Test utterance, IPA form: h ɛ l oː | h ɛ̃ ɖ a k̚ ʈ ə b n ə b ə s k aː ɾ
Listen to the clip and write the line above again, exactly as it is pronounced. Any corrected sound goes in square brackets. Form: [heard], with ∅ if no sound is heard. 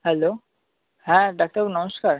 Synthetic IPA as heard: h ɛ l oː | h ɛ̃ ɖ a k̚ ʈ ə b n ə [m] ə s k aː ɾ